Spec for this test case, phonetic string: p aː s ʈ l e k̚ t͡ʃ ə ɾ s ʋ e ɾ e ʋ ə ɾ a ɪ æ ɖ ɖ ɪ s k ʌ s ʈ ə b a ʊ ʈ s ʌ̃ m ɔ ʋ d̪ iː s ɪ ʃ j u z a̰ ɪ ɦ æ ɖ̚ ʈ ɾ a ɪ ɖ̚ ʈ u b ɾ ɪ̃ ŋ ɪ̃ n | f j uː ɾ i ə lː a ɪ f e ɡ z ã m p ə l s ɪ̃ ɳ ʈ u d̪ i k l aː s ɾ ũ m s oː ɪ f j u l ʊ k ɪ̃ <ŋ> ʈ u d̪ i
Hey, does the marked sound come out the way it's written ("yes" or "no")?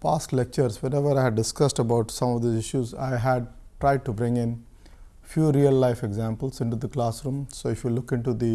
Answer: no